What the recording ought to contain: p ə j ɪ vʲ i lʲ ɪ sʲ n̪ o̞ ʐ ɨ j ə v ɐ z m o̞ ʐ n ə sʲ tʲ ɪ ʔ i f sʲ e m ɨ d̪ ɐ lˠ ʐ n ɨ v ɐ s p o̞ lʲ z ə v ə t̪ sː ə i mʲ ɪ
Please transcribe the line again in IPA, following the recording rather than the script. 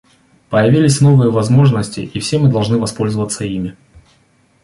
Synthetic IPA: p ə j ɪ vʲ i lʲ ɪ sʲ n̪ o̞ v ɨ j ə v ɐ z m o̞ ʐ n ə sʲ tʲ ɪ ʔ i f sʲ e m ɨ d̪ ɐ lˠ ʐ n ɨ v ɐ s p o̞ lʲ z ə v ə t̪ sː ə i mʲ ɪ